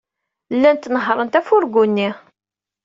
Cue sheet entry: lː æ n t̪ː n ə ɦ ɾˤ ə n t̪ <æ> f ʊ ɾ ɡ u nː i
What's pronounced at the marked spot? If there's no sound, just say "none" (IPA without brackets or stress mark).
æ